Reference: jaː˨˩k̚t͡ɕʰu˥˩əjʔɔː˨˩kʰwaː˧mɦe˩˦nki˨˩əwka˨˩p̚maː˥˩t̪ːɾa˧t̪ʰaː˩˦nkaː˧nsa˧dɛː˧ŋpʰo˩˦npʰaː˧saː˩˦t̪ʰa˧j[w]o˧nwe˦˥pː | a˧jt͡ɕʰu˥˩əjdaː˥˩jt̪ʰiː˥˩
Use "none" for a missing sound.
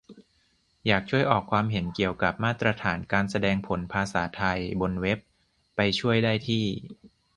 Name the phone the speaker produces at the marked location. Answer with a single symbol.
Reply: b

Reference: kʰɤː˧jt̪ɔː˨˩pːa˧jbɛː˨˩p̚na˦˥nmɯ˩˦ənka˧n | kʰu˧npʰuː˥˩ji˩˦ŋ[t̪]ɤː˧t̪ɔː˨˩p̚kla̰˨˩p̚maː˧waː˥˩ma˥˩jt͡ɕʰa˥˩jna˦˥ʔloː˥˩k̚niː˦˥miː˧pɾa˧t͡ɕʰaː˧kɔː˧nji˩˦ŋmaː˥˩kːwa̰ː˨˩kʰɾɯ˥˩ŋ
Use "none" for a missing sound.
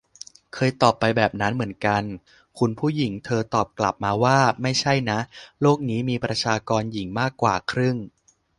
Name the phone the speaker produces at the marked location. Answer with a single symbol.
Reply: t̪ʰ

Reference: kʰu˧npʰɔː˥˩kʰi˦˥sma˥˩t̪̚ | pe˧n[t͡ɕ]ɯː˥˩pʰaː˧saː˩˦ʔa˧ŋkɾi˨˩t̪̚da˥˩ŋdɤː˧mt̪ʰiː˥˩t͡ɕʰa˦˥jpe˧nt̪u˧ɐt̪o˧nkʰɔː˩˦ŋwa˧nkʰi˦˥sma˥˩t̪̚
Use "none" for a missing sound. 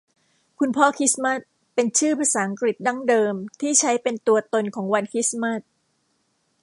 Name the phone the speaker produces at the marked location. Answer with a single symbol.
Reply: t͡ɕʰ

